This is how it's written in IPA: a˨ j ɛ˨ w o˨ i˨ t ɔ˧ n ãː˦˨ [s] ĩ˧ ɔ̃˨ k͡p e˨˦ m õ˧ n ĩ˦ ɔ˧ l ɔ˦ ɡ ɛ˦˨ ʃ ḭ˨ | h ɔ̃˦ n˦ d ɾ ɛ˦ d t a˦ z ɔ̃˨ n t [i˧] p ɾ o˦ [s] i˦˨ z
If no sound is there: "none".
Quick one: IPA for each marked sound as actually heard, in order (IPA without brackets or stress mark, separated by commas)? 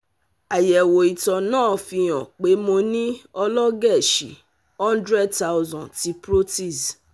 f, i˧, t